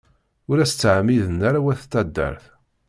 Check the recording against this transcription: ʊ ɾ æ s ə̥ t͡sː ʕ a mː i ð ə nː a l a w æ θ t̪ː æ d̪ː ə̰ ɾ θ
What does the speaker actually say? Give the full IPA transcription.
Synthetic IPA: ʊ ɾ æ s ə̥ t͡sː ʕ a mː i ð ə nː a ɾ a w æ θ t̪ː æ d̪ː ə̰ ɾ θ